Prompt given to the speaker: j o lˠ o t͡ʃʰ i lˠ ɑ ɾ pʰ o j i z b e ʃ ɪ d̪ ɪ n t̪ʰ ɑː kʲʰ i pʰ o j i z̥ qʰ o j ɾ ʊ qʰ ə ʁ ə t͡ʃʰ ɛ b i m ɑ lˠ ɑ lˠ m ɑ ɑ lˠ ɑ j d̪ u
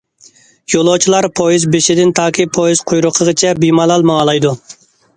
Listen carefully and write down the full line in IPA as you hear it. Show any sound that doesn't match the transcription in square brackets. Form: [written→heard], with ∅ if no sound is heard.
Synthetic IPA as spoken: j o lˠ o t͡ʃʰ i lˠ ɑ ɾ pʰ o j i z b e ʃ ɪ d̪ ɪ n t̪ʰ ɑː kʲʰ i pʰ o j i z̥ qʰ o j ɾ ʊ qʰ ə ʁ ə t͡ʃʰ ɛ b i m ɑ lˠ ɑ lˠ m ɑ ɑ lˠ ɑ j d̪ u